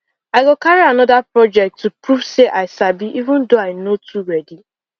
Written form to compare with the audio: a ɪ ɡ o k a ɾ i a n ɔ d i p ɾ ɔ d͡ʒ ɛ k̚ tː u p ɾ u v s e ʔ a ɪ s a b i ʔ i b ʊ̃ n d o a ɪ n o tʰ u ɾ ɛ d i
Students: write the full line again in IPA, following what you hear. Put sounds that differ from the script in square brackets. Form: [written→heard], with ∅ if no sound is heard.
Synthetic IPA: a ɪ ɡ o k a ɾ i a n ɔ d [i→a] p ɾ ɔ d͡ʒ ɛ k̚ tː u p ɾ u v s e ʔ a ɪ s a b i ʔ i [b→v] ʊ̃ n d o a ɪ n o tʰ u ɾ ɛ d i